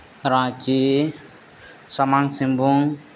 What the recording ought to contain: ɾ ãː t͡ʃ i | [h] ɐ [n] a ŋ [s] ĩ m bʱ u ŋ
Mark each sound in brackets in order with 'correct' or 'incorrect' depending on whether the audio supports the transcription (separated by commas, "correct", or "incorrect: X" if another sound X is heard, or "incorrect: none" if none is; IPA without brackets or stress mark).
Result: incorrect: s, incorrect: m, correct